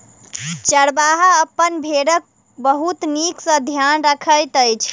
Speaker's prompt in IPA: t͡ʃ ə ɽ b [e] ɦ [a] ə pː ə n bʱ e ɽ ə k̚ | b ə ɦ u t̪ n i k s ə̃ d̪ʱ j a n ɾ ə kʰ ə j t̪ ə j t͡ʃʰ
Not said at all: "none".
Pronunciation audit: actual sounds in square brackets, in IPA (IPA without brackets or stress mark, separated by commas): a, a